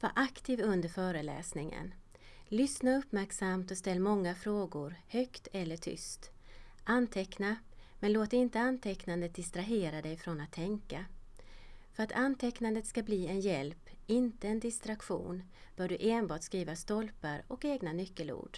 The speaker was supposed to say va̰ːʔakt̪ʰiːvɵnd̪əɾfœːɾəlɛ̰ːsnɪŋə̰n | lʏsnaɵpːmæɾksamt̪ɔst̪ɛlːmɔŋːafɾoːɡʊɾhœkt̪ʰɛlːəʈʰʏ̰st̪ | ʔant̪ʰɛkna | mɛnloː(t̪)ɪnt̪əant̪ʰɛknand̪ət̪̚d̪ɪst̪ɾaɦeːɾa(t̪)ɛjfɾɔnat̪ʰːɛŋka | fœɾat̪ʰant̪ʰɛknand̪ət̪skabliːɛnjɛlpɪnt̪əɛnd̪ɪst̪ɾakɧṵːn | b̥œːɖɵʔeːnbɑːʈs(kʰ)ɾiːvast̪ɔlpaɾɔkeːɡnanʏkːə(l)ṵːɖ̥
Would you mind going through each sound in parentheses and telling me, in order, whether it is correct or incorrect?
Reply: correct, incorrect, incorrect, correct

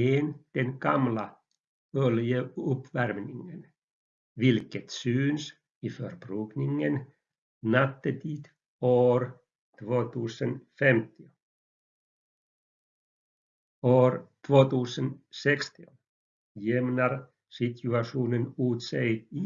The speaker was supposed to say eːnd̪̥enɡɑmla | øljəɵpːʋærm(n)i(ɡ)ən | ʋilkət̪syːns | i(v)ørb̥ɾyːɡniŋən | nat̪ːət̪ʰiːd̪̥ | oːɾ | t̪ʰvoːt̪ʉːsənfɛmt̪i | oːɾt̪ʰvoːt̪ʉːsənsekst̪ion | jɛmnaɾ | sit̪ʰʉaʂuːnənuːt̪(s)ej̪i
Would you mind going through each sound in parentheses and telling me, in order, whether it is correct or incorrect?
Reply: correct, incorrect, incorrect, correct

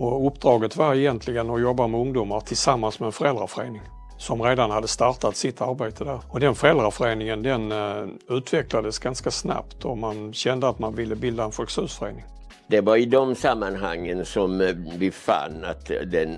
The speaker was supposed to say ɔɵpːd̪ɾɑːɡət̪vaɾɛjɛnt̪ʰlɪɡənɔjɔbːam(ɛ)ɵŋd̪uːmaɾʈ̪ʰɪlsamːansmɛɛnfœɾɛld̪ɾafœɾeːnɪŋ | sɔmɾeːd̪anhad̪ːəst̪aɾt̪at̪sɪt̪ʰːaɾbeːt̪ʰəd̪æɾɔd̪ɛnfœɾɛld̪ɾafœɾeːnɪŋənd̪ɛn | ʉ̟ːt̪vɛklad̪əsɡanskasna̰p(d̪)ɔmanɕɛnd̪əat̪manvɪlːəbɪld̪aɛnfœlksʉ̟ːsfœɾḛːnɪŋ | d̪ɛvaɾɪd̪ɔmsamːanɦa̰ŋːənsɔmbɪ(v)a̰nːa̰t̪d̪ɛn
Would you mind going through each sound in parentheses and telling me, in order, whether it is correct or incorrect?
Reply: correct, incorrect, incorrect

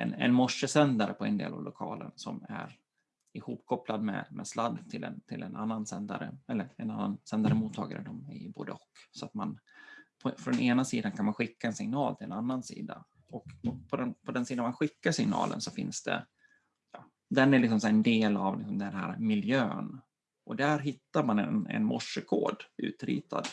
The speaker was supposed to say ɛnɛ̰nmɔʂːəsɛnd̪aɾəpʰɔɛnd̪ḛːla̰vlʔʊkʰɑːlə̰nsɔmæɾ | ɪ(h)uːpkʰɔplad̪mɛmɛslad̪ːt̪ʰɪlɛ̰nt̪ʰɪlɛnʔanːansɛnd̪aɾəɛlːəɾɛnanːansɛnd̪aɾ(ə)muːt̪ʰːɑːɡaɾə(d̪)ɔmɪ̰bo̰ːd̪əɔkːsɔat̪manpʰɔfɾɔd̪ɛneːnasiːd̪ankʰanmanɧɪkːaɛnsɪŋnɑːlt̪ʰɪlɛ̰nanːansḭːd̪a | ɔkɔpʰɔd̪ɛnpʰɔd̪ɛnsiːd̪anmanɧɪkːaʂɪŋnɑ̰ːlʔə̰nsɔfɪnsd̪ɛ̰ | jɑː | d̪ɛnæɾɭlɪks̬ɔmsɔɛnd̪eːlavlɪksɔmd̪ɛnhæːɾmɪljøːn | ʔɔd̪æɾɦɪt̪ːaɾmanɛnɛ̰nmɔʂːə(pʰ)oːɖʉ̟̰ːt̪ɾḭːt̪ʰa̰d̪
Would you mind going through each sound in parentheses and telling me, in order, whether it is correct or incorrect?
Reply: correct, correct, correct, incorrect

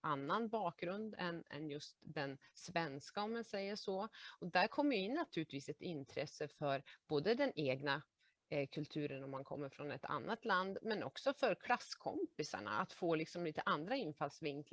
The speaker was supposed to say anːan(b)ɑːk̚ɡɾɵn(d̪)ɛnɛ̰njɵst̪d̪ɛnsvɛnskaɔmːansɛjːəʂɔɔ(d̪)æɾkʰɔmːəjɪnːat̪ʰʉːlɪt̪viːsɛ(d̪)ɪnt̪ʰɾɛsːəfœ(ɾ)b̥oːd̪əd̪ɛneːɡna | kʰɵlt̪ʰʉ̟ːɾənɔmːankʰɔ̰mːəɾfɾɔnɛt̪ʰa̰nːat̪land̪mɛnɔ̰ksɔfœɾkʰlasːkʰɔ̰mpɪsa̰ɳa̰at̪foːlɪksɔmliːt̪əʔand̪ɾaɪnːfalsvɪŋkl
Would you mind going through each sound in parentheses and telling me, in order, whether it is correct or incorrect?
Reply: correct, correct, correct, incorrect, correct

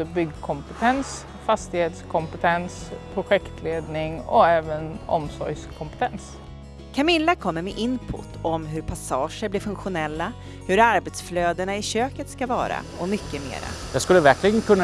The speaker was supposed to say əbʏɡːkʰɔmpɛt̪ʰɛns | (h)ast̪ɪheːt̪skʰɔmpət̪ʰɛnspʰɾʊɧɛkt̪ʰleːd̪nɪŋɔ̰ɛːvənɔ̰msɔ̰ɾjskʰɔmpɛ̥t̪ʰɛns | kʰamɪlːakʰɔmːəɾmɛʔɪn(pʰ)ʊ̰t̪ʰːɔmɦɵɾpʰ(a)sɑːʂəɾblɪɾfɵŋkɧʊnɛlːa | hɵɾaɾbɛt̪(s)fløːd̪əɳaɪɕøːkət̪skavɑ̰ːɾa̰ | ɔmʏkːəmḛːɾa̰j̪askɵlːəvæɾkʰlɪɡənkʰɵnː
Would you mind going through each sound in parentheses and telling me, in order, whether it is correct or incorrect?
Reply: incorrect, correct, correct, correct

